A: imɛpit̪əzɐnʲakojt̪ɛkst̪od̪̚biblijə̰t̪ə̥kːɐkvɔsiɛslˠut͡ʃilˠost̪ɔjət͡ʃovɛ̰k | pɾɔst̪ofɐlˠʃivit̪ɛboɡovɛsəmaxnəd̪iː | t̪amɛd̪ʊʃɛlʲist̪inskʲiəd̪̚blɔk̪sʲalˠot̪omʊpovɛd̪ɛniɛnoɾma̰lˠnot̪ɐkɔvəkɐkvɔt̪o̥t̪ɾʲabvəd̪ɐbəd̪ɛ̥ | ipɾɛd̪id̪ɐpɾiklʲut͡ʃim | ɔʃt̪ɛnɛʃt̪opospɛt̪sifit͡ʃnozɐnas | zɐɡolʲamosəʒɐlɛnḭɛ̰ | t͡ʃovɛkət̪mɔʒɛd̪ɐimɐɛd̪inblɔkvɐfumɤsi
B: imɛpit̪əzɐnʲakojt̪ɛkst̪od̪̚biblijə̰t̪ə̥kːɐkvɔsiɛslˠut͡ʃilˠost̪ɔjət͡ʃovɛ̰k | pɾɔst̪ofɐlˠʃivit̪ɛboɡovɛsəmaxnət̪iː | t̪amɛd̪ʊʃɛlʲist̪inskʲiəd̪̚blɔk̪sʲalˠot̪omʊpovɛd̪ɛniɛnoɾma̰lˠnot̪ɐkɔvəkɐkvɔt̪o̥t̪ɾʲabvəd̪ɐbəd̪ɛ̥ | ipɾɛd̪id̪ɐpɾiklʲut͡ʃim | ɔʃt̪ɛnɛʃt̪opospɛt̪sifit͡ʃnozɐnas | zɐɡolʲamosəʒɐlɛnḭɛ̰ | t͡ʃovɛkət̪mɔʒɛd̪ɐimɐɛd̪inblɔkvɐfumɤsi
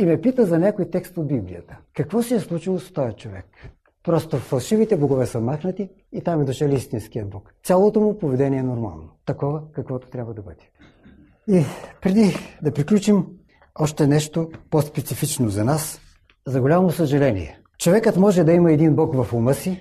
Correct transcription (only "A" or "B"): B